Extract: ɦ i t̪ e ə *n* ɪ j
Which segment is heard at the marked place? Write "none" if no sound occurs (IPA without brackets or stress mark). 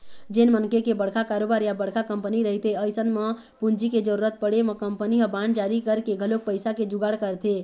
none